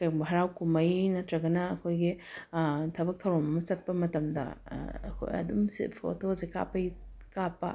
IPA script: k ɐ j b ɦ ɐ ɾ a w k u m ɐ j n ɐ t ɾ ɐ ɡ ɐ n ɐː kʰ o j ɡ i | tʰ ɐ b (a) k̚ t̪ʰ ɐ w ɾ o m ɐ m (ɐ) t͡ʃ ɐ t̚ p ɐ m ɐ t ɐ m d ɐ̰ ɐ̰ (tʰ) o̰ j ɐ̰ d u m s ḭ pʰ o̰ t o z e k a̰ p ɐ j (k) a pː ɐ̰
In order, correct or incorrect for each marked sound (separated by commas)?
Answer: incorrect, correct, incorrect, correct